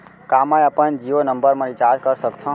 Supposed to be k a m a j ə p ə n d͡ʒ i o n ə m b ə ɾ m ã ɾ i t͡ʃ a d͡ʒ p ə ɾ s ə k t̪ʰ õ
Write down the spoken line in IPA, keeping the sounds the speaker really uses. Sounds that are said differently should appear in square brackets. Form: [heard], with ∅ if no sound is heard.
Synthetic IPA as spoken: k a m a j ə p ə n d͡ʒ i o n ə m b ə ɾ m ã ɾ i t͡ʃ a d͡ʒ [k] ə ɾ s ə k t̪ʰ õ